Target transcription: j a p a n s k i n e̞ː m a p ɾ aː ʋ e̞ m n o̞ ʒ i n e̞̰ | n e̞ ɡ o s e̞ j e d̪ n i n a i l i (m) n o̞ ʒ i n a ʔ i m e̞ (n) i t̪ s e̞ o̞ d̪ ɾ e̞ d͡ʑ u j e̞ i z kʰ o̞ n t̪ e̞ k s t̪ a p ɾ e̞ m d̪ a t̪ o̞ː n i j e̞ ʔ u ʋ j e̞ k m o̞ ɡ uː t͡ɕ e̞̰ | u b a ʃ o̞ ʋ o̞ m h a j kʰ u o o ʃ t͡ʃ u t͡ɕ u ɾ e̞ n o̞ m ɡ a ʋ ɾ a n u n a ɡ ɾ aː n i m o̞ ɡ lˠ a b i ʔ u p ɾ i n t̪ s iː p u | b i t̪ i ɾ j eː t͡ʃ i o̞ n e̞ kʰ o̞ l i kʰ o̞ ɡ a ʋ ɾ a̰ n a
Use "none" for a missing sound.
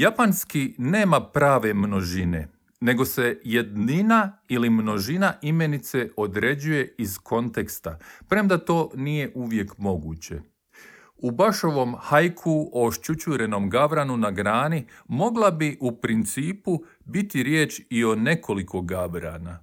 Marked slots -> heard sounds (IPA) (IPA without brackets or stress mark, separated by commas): m, n